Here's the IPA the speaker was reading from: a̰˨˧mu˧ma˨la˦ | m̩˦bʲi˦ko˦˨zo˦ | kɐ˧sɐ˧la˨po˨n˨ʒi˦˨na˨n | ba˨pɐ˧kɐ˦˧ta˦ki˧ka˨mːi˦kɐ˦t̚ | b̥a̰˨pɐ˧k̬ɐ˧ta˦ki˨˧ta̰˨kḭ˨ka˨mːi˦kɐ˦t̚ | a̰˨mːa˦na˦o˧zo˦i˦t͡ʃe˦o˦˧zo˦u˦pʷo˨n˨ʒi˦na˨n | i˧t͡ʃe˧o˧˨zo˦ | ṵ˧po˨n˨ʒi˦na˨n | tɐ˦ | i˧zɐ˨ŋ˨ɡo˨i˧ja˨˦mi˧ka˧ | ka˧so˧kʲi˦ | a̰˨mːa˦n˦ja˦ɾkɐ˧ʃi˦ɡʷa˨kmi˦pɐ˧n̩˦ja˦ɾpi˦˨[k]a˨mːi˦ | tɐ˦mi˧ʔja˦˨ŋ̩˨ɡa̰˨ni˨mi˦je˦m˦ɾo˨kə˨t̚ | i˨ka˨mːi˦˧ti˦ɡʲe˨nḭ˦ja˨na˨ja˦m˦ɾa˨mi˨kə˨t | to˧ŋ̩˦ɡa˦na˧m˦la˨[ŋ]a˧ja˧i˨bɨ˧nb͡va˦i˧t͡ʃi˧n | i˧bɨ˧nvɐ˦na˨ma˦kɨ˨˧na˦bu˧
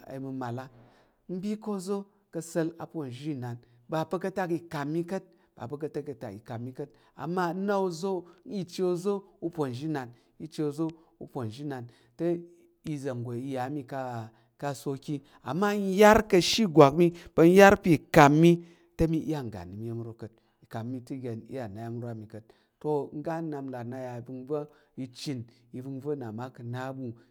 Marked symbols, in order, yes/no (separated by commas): yes, no